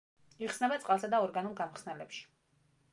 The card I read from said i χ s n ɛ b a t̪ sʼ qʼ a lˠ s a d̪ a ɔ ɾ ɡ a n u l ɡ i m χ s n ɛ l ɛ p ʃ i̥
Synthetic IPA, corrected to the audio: i χ s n ɛ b a t̪ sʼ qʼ a lˠ s a d̪ a ɔ ɾ ɡ a n u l ɡ a m χ s n ɛ l ɛ p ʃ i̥

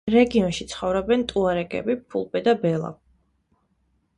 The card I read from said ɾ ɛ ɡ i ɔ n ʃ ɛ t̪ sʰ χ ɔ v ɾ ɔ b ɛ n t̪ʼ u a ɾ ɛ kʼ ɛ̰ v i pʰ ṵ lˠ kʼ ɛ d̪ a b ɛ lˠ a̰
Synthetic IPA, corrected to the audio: ɾ ɛ ɡ i ɔ n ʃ i t̪ sʰ χ ɔ v ɾ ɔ b ɛ n t̪ʼ u a ɾ ɛ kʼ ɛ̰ b i pʰ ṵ lˠ pʼ ɛ d̪ a b ɛ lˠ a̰

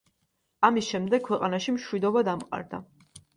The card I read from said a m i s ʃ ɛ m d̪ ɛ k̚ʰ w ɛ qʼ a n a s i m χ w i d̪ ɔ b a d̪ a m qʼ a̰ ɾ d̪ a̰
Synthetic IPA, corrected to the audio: a m i s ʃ ɛ m d̪ ɛ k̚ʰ w ɛ qʼ a n a ʃ i m ʃ w i d̪ ɔ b a d̪ a m qʼ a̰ ɾ d̪ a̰

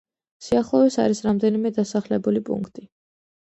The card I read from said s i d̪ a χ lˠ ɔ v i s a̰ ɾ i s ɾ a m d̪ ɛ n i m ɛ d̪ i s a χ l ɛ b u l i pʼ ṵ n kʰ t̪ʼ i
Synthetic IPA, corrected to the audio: s i a χ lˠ ɔ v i s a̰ ɾ i s ɾ a m d̪ ɛ n i m ɛ d̪ a s a χ l ɛ b u l i pʼ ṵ ŋ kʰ t̪ʼ i

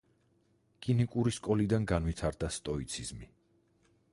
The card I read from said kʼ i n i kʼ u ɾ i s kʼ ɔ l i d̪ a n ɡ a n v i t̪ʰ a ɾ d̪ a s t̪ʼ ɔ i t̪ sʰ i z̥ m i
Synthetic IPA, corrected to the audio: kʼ i n i kʼ u ɾ i s kʼ ɔ l i d̪ a n ɡ a n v i t̪ʰ a ɾ d̪ a s t̪ʼ ɔ i t̪ sʰ i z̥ m i

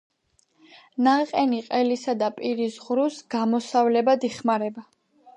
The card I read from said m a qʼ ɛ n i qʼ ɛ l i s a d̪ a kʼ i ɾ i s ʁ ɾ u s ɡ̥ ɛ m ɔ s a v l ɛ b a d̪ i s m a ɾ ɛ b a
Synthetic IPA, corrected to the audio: n a qʼ ɛ n i qʼ ɛ l i s a d̪ a pʼ i ɾ i s ʁ ɾ u s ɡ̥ a m ɔ s a v l ɛ b a d̪ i χ m a ɾ ɛ b a

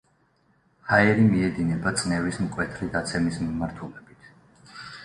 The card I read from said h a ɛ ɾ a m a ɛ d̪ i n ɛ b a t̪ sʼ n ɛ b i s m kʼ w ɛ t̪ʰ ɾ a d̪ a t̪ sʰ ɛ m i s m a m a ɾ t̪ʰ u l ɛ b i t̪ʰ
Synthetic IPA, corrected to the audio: h a ɛ ɾ i m i ɛ d̪ i n ɛ b a t̪ sʼ n ɛ v i s m kʼ w ɛ t̪ʰ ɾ i d̪ a t̪ sʰ ɛ m i s m i m a ɾ t̪ʰ u l ɛ b i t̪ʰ

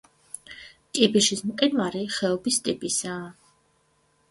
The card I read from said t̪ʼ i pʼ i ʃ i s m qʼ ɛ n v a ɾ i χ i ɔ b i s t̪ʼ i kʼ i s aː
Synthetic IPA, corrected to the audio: t̪ʼ i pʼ i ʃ i s m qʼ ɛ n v a ɾ i χ ɛ ɔ b i s t̪ʼ i pʼ i s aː

